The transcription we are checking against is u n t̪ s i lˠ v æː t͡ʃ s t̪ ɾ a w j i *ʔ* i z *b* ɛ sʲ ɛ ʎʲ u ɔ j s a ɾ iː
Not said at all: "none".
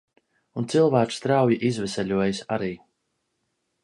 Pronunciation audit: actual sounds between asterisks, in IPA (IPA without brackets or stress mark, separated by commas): ʔ, v